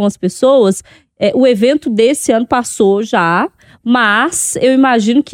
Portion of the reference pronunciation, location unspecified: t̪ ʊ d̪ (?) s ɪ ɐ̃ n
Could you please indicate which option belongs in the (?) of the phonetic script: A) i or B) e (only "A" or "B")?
B